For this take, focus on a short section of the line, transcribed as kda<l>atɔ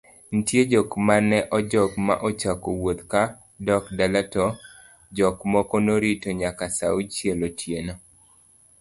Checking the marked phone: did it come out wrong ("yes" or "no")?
no